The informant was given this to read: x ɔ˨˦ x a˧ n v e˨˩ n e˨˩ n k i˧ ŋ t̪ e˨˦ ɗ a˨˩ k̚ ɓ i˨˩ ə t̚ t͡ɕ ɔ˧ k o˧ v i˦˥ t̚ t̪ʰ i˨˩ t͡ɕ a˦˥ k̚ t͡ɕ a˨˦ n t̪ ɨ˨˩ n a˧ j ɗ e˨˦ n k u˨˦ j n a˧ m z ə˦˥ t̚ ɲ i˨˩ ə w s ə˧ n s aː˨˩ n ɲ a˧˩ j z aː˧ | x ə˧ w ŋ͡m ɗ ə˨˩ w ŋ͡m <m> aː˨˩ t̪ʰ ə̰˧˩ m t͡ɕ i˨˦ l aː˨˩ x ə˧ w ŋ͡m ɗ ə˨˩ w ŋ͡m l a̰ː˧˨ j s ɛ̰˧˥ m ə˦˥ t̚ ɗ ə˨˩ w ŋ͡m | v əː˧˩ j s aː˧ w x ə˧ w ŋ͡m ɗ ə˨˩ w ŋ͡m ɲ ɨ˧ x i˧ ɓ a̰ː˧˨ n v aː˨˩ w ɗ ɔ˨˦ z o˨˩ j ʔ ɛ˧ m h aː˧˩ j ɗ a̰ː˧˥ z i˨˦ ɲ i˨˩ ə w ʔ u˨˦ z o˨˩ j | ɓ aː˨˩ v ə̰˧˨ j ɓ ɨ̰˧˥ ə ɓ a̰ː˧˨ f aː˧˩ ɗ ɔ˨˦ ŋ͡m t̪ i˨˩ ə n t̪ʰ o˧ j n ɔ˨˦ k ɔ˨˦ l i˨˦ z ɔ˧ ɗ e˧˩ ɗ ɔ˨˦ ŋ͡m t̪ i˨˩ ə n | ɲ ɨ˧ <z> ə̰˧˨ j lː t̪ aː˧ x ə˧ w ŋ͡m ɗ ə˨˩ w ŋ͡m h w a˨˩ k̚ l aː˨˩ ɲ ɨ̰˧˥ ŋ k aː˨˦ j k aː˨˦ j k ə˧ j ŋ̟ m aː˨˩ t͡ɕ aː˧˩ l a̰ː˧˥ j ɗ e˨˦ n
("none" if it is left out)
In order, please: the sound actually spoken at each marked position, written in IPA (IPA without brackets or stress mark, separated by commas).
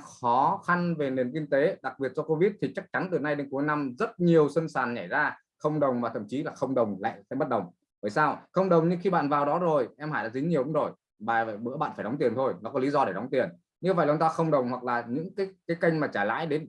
m, v